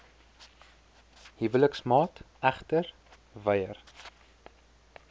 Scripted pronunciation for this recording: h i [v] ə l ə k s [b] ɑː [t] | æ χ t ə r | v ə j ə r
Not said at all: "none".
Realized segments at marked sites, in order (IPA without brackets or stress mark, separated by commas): v, m, t